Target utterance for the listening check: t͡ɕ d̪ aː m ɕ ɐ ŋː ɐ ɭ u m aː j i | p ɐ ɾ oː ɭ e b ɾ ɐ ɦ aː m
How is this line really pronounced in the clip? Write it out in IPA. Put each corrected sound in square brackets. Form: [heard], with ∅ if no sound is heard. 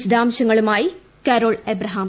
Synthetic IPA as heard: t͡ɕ d̪ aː m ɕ ɐ ŋː ɐ ɭ u m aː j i | [k] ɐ ɾ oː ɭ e b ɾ ɐ ɦ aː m

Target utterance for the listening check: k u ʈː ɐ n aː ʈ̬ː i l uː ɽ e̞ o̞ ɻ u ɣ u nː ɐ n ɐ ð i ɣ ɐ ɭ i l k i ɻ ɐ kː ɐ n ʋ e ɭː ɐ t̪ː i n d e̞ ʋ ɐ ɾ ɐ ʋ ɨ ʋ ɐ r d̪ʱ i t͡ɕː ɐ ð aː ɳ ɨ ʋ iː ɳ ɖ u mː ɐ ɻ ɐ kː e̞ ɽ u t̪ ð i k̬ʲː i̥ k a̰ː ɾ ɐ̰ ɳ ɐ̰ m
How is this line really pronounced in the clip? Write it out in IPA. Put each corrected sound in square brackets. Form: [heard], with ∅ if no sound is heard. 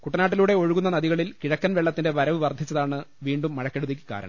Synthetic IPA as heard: k u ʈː ɐ n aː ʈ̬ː i l uː ɽ e̞ o̞ ɻ u ɣ u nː ɐ n ɐ ð i ɣ ɐ ɭ i l k i ɻ ɐ kː ɐ n ʋ e ɭː ɐ t̪ː i n d e̞ ʋ ɐ ɾ ɐ ʋ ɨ ʋ ɐ r d̪ʱ i t͡ɕː ɐ ð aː ɳ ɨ ʋ iː ɳ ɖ u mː ɐ ɻ ɐ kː e̞ ɽ u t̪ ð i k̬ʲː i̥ k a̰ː ɾ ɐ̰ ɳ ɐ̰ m

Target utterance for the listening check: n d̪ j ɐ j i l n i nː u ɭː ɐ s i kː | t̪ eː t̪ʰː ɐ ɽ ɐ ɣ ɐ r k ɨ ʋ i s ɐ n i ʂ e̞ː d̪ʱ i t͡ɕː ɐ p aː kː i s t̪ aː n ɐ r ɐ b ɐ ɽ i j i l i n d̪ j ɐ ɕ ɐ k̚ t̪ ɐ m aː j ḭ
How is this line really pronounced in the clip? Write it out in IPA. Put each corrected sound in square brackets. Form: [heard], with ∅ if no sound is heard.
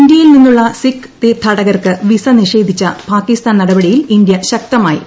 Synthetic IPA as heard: n d̪ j ɐ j i l n i nː u ɭː ɐ s i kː | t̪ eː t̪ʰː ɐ ɽ ɐ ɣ ɐ r k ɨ ʋ i s ɐ n i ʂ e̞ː d̪ʱ i t͡ɕː ɐ p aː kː i s t̪ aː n ɐ [ɽ] ɐ b ɐ ɽ i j i l i n d̪ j ɐ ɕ ɐ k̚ t̪ ɐ m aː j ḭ

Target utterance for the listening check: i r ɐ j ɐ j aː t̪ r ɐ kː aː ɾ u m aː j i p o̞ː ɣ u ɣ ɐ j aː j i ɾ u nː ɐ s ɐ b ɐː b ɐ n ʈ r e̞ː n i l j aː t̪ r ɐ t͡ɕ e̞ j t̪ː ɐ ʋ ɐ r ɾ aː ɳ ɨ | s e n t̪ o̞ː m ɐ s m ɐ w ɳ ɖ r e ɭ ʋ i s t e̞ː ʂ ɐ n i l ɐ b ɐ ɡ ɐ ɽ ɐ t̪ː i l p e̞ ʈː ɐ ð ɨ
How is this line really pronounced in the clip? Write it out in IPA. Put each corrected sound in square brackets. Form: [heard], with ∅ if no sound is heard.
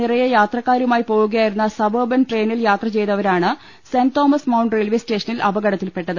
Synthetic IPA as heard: i r ɐ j ɐ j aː t̪ r ɐ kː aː ɾ u m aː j i p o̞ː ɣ u ɣ ɐ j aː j i ɾ u nː ɐ s ɐ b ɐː b ɐ n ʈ r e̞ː n i l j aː t̪ r ɐ t͡ɕ e̞ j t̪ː ɐ ʋ ɐ [∅] ɾ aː ɳ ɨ | s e n t̪ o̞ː m ɐ s m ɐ w ɳ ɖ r e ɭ ʋ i s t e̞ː ʂ ɐ n i l ɐ b ɐ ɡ ɐ ɽ ɐ t̪ː i l p e̞ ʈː ɐ ð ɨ

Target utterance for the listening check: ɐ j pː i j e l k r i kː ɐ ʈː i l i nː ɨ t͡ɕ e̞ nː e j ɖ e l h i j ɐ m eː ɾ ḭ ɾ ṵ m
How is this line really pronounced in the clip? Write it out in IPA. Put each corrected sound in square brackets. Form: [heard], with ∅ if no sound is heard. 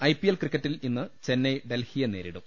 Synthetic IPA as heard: ɐ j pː i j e l k r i kː ɐ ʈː i l i nː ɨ t͡ɕ e̞ nː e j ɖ e l h i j ɐ [n] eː ɾ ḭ [ɽ] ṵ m

